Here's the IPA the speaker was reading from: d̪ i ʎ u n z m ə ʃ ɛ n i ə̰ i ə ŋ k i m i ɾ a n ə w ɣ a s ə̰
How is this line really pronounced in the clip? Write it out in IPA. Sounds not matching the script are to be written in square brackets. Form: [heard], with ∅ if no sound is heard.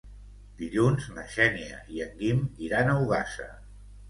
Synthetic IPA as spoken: d̪ i ʎ u n z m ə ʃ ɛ n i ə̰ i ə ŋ [ɡ] i m i ɾ a n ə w ɣ a s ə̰